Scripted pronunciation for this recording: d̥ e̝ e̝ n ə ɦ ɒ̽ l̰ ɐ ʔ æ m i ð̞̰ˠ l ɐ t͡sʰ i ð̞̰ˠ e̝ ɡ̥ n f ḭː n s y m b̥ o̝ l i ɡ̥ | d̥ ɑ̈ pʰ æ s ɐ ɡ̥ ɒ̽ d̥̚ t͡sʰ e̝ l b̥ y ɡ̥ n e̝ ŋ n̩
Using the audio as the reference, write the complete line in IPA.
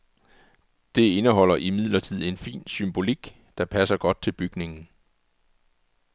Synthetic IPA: d̥ e̝ e̝ n ə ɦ ɒ̽ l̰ ɐ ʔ i m i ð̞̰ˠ l ɐ t͡sʰ i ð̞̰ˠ e̝ n f ḭː n s y m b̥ o̝ l i ɡ̥ | d̥ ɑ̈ pʰ æ s ɐ ɡ̥ ɒ̽ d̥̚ t͡sʰ e̝ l b̥ y ɡ̥ n e̝ ŋ n̩

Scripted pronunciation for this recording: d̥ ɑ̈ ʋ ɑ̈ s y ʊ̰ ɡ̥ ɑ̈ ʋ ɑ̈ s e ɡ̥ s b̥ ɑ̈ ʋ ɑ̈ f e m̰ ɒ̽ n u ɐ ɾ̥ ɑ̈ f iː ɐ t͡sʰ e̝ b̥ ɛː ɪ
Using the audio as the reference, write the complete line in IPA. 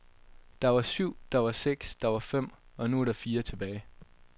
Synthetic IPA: d̥ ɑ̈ ʋ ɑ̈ s y ʊ̰ d̥ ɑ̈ ʋ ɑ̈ s e ɡ̥ s d̥ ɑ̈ ʋ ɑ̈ f e m̰ ɒ̽ n u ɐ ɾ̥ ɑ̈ f iː ɐ t͡sʰ e̝ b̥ ɛː ɪ

